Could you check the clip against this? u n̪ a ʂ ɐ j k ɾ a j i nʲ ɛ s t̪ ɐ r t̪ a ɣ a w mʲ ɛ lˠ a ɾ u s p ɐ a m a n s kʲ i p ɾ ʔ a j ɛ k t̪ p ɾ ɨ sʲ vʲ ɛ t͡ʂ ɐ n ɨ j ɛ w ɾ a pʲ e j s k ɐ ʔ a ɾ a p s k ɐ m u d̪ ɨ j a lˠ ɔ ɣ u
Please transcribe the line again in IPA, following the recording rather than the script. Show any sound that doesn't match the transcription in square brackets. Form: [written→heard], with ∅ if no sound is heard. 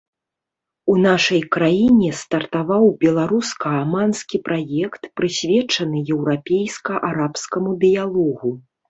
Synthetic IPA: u n̪ a ʂ ɐ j k ɾ a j i nʲ ɛ s t̪ ɐ r t̪ a [ɣ→v] a w [mʲ→bʲ] ɛ lˠ a ɾ u s [p→k] ɐ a m a n s kʲ i p ɾ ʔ a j ɛ k t̪ p ɾ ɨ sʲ vʲ ɛ t͡ʂ ɐ n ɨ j ɛ w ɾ a pʲ e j s k ɐ ʔ a ɾ a p s k ɐ m u d̪ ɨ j a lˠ ɔ ɣ u

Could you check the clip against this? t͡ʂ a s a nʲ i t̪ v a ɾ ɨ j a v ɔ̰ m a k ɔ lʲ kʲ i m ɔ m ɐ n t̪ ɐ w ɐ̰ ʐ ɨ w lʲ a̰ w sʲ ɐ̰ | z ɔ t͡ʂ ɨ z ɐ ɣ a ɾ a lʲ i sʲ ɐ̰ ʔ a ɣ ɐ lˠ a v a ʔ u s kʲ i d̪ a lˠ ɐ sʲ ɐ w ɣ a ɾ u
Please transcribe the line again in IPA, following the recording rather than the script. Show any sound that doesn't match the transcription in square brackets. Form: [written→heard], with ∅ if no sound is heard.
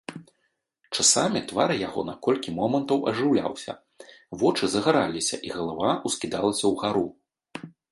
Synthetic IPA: t͡ʂ a s a [nʲ→mʲ] i t̪ v a ɾ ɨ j a [v→ɣ] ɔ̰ [m→n] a k ɔ lʲ kʲ i m ɔ m ɐ n t̪ ɐ w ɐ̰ ʐ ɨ w lʲ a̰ w sʲ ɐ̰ | [z→v] ɔ t͡ʂ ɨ z ɐ ɣ a ɾ a lʲ i sʲ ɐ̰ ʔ [a→i] ɣ ɐ lˠ a v a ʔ u s kʲ i d̪ a lˠ ɐ sʲ ɐ w ɣ a ɾ u

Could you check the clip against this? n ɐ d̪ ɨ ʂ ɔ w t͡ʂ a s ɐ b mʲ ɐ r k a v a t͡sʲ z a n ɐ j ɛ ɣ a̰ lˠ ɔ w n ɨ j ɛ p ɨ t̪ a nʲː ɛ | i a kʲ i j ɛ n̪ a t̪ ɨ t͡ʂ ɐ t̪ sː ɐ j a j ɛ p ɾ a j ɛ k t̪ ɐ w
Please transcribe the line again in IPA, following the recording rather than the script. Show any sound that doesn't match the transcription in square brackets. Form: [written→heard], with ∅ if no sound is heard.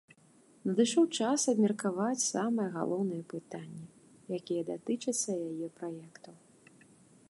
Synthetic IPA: n ɐ d̪ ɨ ʂ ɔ w t͡ʂ a s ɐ b mʲ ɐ r k a v a t͡sʲ [z→s] a [n→m] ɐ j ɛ ɣ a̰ lˠ ɔ w n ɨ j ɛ p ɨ t̪ a nʲː ɛ | [i→j] a kʲ i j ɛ [n̪→d̪] a t̪ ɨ t͡ʂ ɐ t̪ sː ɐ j a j ɛ p ɾ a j ɛ k t̪ ɐ w

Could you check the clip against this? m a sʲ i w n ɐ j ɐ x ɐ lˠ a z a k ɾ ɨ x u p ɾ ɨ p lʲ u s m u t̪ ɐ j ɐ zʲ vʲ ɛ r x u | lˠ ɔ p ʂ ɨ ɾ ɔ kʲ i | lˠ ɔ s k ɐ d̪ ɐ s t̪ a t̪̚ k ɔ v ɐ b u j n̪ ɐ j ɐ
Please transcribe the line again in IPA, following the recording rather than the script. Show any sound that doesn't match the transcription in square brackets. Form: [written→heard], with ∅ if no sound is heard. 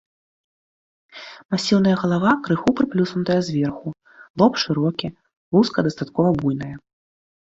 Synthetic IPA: m a sʲ i w n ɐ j ɐ [x→ɣ] ɐ lˠ a [z→v] a k ɾ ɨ x u p ɾ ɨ p lʲ u s [m→n] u t̪ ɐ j ɐ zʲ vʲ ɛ r x u | lˠ ɔ p ʂ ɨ ɾ ɔ kʲ i | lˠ [ɔ→u] s k ɐ d̪ ɐ s t̪ a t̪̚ k ɔ v ɐ b u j n̪ ɐ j ɐ

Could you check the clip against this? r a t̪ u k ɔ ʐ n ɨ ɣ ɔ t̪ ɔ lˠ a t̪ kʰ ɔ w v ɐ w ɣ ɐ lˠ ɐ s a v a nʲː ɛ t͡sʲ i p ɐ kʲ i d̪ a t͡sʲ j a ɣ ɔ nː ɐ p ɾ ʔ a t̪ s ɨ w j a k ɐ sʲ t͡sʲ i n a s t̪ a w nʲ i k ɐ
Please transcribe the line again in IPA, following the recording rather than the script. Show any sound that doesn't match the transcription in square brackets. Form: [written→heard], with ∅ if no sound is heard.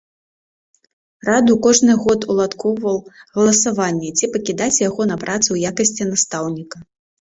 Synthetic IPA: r a [t̪→d̪] u k ɔ ʐ n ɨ ɣ ɔ t̪ [ɔ→u] lˠ a t̪ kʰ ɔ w v ɐ w ɣ ɐ lˠ ɐ s a v a nʲː ɛ t͡sʲ i p ɐ kʲ i d̪ a t͡sʲ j a ɣ ɔ [nː→n] ɐ p ɾ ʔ a t̪ s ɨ w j a k ɐ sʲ t͡sʲ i n a s t̪ a w nʲ i k ɐ

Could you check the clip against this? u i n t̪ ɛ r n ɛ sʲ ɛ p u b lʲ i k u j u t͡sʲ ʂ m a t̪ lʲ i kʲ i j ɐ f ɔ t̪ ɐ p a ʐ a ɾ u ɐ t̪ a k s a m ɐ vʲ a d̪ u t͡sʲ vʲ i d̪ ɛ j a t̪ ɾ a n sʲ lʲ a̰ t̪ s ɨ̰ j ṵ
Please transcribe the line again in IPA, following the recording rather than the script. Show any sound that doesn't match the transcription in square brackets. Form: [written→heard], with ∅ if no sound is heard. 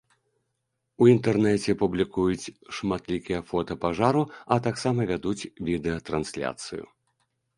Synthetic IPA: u i n t̪ ɛ r n ɛ [sʲ→t͡sʲ] ɛ p u b lʲ i k u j u t͡sʲ ʂ m a t̪ lʲ i kʲ i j ɐ f ɔ t̪ ɐ p a ʐ a ɾ u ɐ t̪ a k s a m ɐ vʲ a d̪ u t͡sʲ vʲ i d̪ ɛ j [a→ɐ] t̪ ɾ a n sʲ lʲ a̰ t̪ s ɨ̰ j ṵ

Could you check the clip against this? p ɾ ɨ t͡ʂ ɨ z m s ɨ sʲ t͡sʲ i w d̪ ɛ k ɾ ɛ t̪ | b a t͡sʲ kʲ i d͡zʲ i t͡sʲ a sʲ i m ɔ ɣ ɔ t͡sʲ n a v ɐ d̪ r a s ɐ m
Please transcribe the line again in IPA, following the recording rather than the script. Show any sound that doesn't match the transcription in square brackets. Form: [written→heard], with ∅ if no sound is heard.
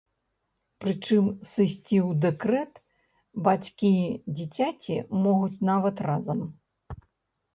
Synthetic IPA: p ɾ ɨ t͡ʂ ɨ [z→∅] m s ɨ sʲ t͡sʲ i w d̪ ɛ k ɾ ɛ t̪ | b a t͡sʲ kʲ i d͡zʲ i t͡sʲ a [sʲ→t͡sʲ] i m ɔ ɣ [ɔ→u] t͡sʲ n a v ɐ [d̪→t̪] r a [s→z] ɐ m

